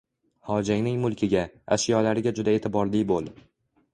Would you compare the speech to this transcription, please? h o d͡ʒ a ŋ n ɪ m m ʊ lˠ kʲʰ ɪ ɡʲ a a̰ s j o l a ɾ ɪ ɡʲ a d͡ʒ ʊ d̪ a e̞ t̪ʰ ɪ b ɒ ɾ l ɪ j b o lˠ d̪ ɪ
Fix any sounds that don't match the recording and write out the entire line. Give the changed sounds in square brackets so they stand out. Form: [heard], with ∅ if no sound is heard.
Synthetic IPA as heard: h [ɒ] d͡ʒ a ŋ n ɪ [ŋ] m ʊ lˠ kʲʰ ɪ ɡʲ a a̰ [ʃ] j [ɒ] l a ɾ ɪ ɡʲ a d͡ʒ ʊ d̪ a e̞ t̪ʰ ɪ b ɒ ɾ l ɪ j b o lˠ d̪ ɪ